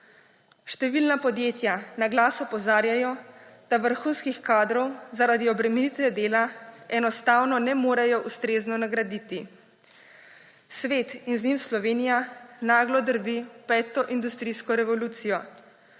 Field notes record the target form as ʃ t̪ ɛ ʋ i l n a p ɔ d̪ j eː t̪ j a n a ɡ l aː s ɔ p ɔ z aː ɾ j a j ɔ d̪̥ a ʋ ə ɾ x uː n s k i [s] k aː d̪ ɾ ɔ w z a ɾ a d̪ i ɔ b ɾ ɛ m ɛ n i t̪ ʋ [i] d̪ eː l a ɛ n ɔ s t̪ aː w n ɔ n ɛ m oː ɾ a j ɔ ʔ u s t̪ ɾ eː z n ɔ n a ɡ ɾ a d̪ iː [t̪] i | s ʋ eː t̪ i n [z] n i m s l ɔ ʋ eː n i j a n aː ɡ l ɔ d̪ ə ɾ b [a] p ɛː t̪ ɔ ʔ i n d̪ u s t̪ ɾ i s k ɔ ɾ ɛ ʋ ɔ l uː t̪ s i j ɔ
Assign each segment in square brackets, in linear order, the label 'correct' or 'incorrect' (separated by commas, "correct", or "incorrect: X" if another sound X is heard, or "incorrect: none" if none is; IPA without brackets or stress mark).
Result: incorrect: x, incorrect: ɛ, correct, correct, incorrect: i